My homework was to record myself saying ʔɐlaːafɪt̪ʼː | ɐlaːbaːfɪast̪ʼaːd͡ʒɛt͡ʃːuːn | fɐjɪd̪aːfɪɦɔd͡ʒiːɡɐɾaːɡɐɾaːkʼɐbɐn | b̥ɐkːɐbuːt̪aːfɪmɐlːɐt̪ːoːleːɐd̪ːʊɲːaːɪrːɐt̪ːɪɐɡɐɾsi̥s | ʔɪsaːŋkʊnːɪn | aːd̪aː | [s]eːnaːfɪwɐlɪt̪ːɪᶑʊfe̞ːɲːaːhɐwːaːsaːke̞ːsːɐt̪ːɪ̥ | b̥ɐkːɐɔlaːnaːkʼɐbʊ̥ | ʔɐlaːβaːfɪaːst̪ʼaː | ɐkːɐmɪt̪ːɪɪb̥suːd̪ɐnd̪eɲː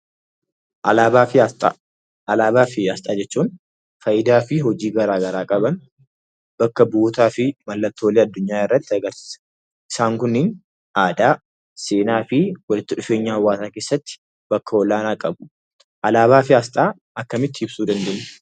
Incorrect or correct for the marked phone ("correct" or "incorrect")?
correct